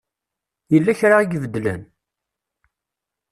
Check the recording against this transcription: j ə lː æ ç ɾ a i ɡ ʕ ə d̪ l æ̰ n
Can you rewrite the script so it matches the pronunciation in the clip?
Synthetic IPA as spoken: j ə lː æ ç ɾ a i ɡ v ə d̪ l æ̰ n